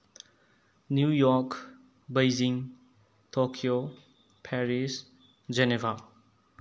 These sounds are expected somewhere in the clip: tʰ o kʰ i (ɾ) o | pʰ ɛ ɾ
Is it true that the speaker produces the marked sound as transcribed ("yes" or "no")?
no